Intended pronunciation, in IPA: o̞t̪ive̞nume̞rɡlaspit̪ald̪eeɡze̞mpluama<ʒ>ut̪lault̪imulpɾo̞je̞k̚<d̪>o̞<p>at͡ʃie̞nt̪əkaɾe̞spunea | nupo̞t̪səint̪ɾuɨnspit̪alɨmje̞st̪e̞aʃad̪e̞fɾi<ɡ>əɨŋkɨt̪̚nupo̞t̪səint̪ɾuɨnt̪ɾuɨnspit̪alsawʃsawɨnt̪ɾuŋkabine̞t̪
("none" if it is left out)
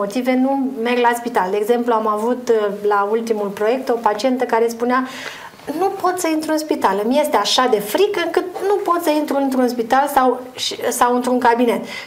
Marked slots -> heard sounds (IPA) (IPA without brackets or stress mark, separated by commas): v, t̪, p, k